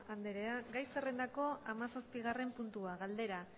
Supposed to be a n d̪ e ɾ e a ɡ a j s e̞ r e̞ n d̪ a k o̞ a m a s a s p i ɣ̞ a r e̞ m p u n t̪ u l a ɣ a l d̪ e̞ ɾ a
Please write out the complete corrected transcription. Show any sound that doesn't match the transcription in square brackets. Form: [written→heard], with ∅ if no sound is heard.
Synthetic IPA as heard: a n d̪ e ɾ e a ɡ a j s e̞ r e̞ n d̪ a k o̞ a m a s a s p i ɣ̞ a r e̞ m p u n t̪ u [l→∅] a ɣ a l d̪ e̞ ɾ a